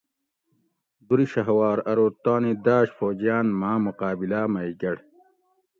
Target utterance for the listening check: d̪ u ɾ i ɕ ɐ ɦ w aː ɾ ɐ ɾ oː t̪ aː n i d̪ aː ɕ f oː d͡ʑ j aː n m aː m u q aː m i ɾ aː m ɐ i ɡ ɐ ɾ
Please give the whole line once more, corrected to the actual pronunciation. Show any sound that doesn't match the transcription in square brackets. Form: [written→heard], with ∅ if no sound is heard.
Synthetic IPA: d̪ u ɾ i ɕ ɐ ɦ w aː ɾ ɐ ɾ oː t̪ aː n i d̪ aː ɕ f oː d͡ʑ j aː n m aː m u q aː [m→b] i [ɾ→l] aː m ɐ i ɡ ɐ [ɾ→ɽ]